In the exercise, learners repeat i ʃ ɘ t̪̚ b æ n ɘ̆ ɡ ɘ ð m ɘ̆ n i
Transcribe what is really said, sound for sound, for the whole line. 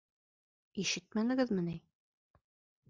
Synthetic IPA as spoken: i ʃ ɘ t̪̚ m æ n ɘ̆ ɡ ɘ ð m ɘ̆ n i